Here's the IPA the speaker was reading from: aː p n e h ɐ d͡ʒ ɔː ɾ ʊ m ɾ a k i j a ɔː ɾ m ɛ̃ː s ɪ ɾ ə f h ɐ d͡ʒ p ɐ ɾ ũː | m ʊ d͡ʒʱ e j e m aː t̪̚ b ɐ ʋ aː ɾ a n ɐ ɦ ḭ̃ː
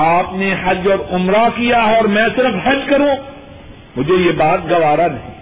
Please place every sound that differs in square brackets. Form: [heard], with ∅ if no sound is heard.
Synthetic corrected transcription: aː p n e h ɐ d͡ʒ ɔː ɾ ʊ m ɾ a k i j a ɔː ɾ m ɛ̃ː s ɪ ɾ ə f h ɐ d͡ʒ [k] ɐ ɾ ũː | m ʊ d͡ʒʱ e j e [b] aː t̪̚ [ɡ] ɐ ʋ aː ɾ a n ɐ ɦ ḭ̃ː